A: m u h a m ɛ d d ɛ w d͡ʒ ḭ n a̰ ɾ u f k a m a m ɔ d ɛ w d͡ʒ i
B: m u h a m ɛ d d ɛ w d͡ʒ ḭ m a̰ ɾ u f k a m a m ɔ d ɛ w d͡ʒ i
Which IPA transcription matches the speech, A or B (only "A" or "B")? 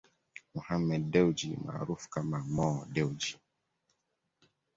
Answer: B